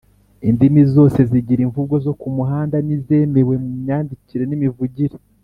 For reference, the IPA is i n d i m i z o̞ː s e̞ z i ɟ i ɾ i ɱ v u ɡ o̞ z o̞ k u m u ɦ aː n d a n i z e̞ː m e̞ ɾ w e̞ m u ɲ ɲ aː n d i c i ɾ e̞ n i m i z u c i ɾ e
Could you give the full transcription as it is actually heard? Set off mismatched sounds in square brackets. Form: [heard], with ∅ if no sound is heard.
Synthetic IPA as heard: i n d i m i z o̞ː s e̞ z i ɟ i ɾ i ɱ v u ɡ o̞ z o̞ k u m u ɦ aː n d a n i z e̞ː m e̞ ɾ w e̞ m u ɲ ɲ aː n d i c i ɾ e̞ n i m i [v] u [ɟ] i ɾ e